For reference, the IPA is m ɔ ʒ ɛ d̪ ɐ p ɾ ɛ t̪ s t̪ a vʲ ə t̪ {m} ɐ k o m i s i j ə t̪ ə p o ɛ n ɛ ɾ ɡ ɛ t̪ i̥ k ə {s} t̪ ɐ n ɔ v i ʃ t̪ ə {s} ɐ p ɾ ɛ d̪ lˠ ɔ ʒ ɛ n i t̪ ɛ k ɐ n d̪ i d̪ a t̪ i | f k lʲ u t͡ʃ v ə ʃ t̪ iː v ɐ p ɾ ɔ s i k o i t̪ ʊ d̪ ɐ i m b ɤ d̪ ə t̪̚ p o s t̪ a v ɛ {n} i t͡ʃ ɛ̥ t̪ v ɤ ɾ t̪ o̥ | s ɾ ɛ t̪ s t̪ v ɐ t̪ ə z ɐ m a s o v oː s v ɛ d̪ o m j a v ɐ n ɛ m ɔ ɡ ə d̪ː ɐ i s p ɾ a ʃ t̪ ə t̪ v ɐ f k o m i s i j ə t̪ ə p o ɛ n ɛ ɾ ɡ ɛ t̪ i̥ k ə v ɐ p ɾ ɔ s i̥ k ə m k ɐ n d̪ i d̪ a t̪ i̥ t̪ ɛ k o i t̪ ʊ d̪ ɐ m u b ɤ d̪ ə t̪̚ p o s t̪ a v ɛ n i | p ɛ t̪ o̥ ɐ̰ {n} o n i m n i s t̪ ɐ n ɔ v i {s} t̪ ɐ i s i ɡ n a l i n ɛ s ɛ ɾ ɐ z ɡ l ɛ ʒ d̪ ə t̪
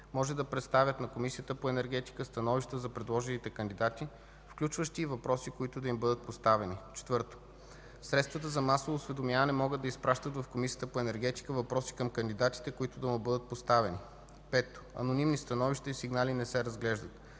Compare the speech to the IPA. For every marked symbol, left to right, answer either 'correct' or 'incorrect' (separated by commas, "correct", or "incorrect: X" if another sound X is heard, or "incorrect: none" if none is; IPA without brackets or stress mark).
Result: incorrect: n, correct, incorrect: z, correct, correct, incorrect: ʃ